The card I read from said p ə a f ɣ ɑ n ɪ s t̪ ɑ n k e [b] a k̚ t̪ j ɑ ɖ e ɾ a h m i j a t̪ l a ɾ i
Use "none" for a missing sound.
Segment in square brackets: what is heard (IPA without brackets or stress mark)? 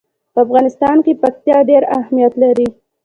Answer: p